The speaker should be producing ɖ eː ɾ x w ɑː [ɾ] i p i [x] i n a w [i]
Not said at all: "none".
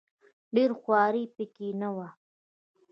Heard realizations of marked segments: ɾ, k, a

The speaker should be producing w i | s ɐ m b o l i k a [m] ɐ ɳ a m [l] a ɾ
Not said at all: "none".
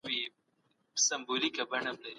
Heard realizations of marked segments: b, l

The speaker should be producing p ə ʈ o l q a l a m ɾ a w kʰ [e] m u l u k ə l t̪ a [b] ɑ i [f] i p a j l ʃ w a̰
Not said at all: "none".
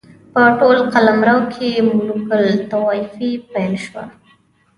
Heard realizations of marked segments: e, w, f

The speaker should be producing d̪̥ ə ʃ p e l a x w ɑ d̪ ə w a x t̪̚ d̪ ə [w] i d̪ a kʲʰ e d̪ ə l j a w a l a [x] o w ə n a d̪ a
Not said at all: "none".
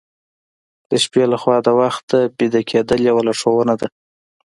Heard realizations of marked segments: b, ʂ

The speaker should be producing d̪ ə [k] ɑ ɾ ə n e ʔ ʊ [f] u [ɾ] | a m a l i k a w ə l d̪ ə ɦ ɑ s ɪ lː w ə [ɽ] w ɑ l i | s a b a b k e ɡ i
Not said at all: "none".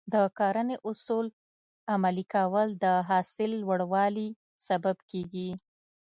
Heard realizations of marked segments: k, s, l, ɽ

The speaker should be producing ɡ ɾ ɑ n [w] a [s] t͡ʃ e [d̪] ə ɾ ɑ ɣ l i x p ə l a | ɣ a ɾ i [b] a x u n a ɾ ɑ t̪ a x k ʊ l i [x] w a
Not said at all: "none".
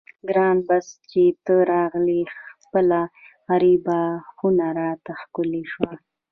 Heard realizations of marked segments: b, s, t̪, b, ʃ

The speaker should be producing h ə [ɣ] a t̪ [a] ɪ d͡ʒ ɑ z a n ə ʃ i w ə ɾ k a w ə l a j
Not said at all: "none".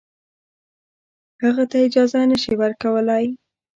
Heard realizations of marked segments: ɣ, a

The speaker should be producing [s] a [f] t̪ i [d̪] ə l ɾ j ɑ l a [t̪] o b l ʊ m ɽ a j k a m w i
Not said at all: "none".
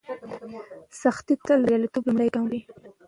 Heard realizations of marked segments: s, x, t̪, t̪

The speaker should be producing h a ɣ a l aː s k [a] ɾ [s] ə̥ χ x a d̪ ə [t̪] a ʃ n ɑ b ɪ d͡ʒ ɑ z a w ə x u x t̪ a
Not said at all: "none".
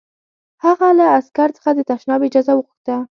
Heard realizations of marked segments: a, t͡s, t̪

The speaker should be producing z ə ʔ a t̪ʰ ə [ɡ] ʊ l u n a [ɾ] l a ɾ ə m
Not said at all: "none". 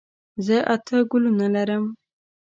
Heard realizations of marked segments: ɡ, none

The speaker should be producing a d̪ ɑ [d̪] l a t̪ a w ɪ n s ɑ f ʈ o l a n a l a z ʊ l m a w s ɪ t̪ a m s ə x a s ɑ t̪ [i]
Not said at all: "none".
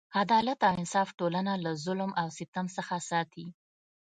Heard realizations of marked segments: none, i

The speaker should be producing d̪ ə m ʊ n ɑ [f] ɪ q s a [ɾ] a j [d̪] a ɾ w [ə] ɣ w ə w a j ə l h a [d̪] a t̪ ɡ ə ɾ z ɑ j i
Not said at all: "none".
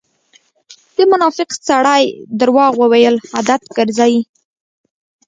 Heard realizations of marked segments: f, ɽ, d̪, ɑ, d̪

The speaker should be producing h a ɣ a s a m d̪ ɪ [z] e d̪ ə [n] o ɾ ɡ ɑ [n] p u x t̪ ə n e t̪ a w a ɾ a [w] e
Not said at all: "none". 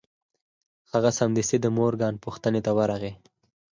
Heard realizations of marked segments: s, m, n, ɣ

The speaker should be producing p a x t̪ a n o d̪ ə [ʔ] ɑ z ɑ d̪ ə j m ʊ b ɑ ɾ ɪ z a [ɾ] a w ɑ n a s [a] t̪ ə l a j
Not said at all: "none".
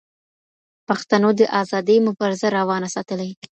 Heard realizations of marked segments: ʔ, ɾ, ɑ

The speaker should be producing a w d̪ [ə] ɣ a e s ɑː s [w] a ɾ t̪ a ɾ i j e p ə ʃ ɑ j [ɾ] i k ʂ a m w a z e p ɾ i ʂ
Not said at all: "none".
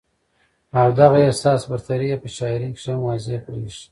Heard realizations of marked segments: a, b, ɾ

